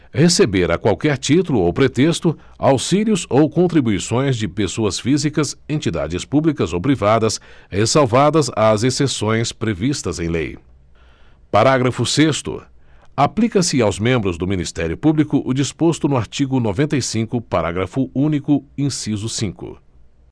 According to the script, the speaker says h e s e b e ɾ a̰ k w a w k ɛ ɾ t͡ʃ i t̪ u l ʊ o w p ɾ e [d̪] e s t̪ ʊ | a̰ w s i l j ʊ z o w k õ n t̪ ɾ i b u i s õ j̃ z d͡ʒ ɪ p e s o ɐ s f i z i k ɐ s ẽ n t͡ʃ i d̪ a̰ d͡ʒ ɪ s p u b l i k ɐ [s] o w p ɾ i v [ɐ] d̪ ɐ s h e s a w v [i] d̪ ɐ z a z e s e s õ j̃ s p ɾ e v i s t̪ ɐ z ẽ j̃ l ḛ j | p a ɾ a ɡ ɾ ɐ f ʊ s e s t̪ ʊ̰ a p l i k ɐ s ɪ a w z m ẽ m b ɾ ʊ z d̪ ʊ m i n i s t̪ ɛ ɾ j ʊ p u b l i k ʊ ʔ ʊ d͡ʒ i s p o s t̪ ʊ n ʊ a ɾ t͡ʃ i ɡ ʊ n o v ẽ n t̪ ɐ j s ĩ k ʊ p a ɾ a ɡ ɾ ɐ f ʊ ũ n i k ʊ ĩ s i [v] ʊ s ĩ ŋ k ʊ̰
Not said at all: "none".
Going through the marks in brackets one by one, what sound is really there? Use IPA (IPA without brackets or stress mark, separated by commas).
t̪, z, a, a, z